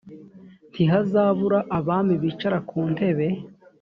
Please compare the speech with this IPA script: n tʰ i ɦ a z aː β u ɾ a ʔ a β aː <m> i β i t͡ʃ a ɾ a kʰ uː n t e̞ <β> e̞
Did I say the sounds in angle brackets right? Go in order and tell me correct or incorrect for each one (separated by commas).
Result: correct, correct